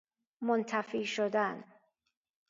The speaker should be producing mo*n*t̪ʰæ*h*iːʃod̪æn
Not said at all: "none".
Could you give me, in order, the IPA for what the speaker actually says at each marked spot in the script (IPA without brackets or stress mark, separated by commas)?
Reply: n, f